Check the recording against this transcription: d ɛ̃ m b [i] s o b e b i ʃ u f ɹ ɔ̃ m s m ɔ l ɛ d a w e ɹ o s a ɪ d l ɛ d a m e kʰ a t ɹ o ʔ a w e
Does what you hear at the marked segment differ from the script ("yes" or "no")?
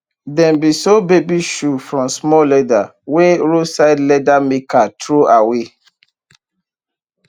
no